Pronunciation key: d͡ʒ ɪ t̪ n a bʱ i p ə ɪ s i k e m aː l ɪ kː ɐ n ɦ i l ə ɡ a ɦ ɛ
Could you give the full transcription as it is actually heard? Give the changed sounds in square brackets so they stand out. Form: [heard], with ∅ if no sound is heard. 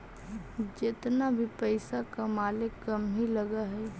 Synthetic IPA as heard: d͡ʒ ɪ t̪ n a bʱ i p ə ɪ s [a] k [a] m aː l ɪ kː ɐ [m] ɦ i l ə ɡ a ɦ ɛ